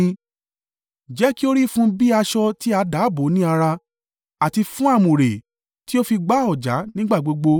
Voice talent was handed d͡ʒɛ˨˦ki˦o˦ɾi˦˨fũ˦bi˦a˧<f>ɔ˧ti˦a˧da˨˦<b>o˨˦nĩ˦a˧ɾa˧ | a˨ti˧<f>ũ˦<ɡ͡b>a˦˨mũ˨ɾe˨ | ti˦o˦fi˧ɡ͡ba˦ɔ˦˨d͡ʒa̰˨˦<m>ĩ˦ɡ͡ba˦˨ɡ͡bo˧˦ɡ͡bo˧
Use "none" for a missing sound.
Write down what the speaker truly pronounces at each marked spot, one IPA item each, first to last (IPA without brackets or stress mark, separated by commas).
ʃ, b, f, none, n